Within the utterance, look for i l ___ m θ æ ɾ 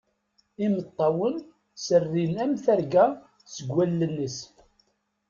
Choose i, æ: æ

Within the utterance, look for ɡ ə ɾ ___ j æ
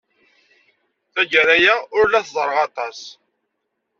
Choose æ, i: æ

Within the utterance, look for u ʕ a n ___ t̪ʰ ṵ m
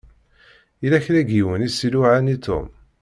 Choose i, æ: i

